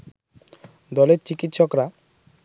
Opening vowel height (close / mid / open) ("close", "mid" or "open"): mid